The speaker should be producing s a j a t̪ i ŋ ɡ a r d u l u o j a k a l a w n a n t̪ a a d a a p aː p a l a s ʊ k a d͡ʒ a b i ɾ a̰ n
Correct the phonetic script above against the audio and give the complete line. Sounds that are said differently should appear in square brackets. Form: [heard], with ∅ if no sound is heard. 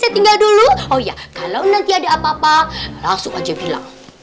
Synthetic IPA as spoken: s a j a t̪ i ŋ ɡ a [l] d u l u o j a k a l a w n a n t̪ [i] a d a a p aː p a l a s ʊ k a d͡ʒ a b i [l] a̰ [ŋ]